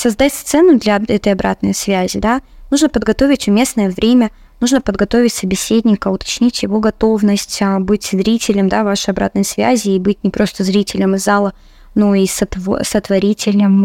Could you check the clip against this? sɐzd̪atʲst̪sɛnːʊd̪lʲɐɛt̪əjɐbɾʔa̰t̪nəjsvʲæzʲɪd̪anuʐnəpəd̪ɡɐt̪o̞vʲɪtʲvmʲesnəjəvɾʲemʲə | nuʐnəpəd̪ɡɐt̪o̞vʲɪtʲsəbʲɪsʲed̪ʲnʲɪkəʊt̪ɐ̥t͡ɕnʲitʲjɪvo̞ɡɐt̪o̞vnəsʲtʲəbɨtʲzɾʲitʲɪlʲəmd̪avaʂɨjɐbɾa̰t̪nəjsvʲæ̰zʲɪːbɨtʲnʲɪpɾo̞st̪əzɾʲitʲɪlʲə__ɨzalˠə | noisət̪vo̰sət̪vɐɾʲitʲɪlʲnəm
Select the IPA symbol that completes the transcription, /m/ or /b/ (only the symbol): m